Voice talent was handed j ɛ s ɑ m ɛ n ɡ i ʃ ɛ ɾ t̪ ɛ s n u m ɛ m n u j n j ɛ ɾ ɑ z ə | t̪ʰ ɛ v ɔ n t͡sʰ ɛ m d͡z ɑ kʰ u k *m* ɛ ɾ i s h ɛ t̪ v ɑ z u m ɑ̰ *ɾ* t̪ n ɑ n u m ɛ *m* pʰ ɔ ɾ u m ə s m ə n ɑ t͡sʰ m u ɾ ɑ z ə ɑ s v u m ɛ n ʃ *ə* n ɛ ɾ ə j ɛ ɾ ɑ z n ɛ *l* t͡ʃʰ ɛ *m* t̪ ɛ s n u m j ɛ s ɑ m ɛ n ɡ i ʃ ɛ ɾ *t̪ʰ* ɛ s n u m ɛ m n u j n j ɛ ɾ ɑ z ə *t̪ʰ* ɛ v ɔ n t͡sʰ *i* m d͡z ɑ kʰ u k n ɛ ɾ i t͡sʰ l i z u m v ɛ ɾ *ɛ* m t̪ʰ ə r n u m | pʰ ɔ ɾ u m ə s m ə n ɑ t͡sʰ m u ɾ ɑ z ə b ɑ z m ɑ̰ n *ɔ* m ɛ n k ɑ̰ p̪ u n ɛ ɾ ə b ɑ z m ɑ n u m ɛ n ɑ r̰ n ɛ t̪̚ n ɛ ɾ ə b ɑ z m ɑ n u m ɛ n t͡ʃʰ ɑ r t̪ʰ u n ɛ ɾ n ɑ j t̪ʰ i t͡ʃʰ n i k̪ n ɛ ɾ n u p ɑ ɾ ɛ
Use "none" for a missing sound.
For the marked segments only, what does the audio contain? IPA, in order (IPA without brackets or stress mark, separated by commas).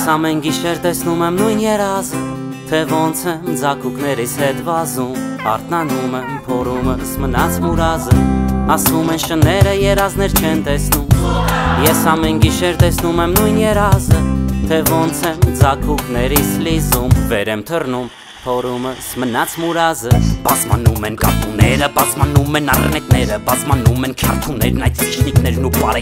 n, ɾ, m, ə, ɾ, n, t̪, t̪ʰ, ɛ, ɛ, u